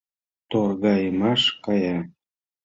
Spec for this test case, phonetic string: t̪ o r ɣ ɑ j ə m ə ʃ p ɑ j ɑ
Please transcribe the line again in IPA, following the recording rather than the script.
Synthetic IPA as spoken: t̪ o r ɣ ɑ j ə m ɑ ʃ k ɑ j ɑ